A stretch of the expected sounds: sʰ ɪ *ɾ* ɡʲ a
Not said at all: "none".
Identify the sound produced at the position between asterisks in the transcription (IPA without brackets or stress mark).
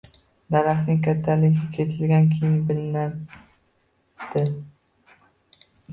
l